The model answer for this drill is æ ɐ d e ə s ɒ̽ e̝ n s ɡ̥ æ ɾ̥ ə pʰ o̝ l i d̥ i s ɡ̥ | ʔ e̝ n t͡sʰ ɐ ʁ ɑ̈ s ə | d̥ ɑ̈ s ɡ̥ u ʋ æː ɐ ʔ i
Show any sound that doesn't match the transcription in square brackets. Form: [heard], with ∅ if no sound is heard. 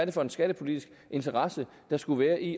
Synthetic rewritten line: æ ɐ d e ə [f] ɒ̽ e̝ n s ɡ̥ æ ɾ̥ ə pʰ o̝ l i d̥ i s ɡ̥ | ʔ e̝ n t͡sʰ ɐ ʁ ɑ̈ s ə | d̥ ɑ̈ s ɡ̥ u ʋ æː ɐ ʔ i